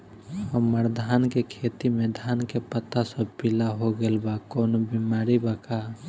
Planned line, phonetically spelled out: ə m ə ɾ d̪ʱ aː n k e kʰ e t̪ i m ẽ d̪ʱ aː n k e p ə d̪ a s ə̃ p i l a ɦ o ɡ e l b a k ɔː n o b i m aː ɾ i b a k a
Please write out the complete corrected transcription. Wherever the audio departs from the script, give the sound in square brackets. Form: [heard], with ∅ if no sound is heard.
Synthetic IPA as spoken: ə m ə ɾ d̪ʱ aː n k e kʰ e t̪ i m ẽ d̪ʱ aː n k e p ə [t̪] a s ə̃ p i l a ɦ o ɡ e l b a k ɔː n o b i m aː ɾ i b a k a